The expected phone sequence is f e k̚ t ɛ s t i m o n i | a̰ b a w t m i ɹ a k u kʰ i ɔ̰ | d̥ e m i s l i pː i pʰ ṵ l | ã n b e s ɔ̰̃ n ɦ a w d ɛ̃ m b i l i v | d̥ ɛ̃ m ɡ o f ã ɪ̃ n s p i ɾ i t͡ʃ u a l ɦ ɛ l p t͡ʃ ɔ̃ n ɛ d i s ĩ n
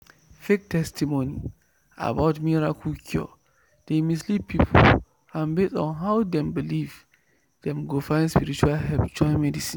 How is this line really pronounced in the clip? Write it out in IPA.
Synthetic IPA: f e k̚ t ɛ s t i m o n i | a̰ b a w t m i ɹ a k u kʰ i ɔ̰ | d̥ e m i s l i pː i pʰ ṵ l | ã n b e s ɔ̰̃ n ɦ a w d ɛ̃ m b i l i v | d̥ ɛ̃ m ɡ o f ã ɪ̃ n s p i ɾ i t͡ʃ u a l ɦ ɛ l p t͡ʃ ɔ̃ m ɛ d i s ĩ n